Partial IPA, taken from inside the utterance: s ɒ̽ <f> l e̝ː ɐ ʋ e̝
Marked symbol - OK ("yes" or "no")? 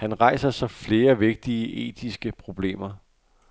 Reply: yes